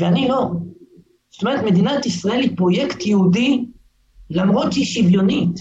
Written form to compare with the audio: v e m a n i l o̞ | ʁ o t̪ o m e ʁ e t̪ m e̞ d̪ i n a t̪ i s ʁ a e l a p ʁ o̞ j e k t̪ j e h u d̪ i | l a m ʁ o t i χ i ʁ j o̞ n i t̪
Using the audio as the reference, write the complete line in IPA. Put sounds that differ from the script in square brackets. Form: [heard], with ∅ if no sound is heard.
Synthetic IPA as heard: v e [∅] a n i l o̞ | [z] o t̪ o m e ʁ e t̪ m e̞ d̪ i n a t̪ i s ʁ a e l [i] p ʁ o̞ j e k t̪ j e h u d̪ i | l a m ʁ o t i [ʃ] i [v] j o̞ n i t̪